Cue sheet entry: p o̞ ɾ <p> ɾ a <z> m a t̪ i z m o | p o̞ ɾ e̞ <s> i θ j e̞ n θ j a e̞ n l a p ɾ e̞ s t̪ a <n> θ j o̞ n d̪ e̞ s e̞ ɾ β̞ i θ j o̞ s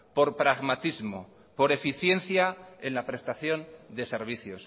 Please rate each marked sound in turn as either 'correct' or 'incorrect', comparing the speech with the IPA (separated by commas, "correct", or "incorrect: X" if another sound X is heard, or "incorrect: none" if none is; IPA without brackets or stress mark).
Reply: correct, incorrect: ɣ, incorrect: f, incorrect: none